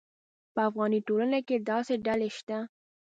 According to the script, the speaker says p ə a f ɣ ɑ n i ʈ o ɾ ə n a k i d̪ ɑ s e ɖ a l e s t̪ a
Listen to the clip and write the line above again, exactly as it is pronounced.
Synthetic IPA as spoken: p ə a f ɣ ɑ n i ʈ o l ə n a k e d̪ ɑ s e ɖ a l e ʃ t̪ a